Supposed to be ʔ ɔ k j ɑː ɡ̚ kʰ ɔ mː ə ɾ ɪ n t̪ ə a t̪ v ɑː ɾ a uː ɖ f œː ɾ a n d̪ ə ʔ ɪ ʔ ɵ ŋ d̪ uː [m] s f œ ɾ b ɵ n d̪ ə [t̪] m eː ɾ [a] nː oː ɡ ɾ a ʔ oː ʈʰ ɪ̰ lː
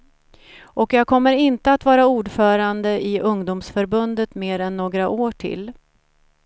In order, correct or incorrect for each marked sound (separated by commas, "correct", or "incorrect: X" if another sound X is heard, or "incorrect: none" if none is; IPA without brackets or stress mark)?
correct, correct, incorrect: ɛ